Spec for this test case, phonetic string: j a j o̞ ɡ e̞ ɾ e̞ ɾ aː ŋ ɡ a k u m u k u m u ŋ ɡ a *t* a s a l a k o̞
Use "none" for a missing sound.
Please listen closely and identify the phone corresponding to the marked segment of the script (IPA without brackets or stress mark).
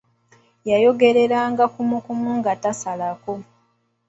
t